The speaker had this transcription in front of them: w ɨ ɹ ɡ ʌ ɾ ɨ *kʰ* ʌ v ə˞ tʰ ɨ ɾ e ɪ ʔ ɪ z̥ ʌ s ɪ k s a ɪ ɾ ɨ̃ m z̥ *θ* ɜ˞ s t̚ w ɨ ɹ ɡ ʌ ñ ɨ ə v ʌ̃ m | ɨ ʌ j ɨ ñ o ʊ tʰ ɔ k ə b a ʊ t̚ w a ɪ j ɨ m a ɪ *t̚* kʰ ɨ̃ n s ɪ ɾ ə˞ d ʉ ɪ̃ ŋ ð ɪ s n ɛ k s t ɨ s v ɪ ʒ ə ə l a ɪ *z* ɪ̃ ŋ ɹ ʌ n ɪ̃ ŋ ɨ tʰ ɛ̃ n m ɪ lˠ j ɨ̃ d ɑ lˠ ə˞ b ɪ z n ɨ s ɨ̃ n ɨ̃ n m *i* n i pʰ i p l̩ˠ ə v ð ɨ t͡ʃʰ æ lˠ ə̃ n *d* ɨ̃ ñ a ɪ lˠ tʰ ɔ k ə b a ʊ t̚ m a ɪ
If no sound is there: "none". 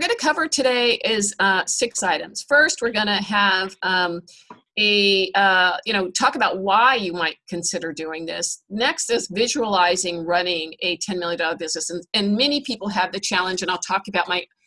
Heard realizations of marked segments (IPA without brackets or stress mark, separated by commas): kʰ, f, t̚, z, ɛ, d͡ʒ